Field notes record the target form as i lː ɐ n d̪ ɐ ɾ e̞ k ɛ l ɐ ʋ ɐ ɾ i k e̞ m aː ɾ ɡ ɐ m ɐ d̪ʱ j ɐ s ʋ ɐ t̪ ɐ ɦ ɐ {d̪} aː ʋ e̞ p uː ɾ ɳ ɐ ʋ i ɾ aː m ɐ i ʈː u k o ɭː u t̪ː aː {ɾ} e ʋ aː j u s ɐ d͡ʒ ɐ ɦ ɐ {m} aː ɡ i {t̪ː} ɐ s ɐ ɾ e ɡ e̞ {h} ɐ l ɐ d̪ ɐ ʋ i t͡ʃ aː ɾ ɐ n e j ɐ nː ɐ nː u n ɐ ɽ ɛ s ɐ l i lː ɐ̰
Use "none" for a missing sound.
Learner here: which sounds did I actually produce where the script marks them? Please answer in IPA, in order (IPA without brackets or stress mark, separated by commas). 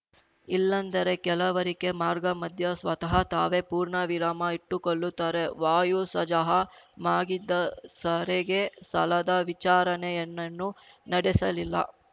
t̪, ɾ, m, d̪ː, s